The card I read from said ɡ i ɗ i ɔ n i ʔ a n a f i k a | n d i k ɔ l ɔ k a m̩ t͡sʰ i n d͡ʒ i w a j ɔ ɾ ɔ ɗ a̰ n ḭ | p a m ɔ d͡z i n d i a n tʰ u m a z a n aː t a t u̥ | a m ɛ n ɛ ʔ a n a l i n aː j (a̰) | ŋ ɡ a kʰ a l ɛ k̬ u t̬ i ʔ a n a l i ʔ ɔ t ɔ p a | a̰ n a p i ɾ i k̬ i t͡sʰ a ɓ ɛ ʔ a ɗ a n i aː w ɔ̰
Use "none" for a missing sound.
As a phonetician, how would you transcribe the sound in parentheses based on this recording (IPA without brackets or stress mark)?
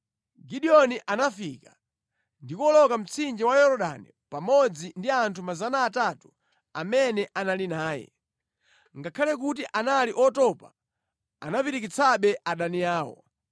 ɛ̰